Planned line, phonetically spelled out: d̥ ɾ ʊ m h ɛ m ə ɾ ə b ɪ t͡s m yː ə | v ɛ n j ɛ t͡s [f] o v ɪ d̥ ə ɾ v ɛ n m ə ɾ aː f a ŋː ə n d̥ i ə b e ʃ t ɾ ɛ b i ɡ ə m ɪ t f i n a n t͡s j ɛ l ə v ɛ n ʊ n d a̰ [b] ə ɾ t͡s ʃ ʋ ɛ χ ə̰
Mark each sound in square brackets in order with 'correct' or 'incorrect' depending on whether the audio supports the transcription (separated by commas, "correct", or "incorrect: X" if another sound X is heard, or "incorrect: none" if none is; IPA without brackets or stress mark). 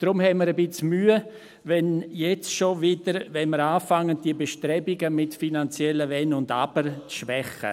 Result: incorrect: ʃ, correct